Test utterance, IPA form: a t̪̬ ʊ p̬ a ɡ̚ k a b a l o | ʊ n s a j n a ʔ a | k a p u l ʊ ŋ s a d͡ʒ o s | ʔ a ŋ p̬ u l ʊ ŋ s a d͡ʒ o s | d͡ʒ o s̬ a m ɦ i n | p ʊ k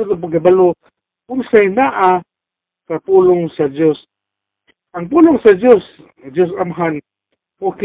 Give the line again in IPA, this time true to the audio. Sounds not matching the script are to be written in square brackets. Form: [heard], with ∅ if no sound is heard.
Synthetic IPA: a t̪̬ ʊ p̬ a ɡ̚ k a b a l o | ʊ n s a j n a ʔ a | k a p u l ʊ ŋ s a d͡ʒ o s | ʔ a ŋ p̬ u l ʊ ŋ s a d͡ʒ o s | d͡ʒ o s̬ a m ɦ [a] n | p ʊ k